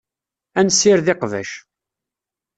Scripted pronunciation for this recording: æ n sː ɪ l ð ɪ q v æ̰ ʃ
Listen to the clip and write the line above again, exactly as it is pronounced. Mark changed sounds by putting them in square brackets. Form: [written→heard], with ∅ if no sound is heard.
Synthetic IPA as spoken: æ n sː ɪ [l→ɾ] ð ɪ q v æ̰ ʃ